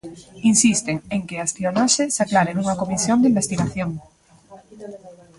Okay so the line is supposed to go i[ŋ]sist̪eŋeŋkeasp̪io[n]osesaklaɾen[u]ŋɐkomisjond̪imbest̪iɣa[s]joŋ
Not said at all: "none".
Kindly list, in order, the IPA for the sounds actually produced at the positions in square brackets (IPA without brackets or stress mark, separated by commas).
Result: n, n, u, θ